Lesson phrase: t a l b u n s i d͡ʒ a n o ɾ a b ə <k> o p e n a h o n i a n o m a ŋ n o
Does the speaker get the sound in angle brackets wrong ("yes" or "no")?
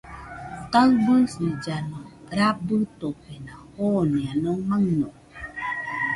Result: yes